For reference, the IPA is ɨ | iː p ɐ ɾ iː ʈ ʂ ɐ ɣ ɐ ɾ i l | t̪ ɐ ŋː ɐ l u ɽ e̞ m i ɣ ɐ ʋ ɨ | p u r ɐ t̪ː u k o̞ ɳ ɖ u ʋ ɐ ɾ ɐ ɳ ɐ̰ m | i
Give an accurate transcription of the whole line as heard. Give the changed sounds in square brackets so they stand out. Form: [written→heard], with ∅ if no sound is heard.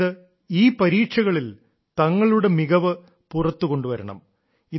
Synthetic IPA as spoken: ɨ | iː p ɐ ɾ iː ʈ ʂ ɐ ɣ ɐ [ɾ→ɭ] i l | t̪ ɐ ŋː ɐ [l→ɭ] u ɽ e̞ m i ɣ ɐ ʋ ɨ | p u r ɐ t̪ː u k o̞ ɳ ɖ u ʋ ɐ ɾ ɐ ɳ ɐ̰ m | i